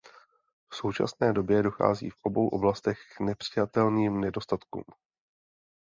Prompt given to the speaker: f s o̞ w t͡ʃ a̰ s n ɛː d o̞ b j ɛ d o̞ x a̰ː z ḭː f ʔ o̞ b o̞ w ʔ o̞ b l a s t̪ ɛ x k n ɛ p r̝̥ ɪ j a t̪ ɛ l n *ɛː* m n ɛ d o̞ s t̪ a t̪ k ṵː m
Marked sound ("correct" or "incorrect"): incorrect